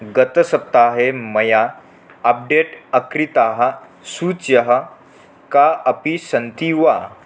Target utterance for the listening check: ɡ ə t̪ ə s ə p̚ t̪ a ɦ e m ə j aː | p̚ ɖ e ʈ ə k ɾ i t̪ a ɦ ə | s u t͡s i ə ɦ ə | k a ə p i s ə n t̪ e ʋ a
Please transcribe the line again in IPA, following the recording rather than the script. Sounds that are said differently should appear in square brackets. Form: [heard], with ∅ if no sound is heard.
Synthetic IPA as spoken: ɡ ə t̪ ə s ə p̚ t̪ a ɦ e m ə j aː | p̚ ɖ e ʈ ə k ɾ i t̪ a ɦ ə | s u t͡s [j] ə ɦ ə | k a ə p i s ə n t̪ [i] ʋ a

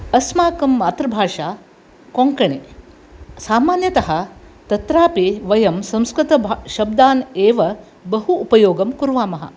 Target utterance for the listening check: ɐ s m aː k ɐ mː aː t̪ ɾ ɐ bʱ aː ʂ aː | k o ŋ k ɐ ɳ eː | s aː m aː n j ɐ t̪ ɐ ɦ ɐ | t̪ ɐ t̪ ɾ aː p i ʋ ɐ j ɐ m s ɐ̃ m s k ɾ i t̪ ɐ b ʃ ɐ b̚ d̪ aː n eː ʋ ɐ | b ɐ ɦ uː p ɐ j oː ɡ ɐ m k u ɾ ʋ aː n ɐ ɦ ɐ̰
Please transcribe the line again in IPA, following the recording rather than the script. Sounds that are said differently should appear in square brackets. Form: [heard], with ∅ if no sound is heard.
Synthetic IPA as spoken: ɐ s m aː k ɐ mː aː t̪ ɾ ɐ bʱ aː ʂ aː | k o ŋ k ɐ ɳ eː | s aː m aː n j ɐ t̪ ɐ ɦ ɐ | t̪ ɐ t̪ ɾ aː p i ʋ ɐ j ɐ m s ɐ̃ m s k ɾ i t̪ ɐ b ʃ ɐ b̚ d̪ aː n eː ʋ ɐ | b ɐ ɦ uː p ɐ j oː ɡ ɐ m k u ɾ ʋ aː [m] ɐ ɦ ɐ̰

